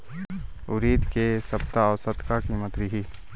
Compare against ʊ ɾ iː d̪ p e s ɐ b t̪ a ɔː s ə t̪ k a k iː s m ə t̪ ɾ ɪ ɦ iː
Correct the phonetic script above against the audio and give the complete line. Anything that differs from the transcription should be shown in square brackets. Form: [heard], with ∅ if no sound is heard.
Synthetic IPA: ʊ ɾ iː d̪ [k] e s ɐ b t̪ a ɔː s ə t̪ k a k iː [∅] m ə t̪ ɾ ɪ ɦ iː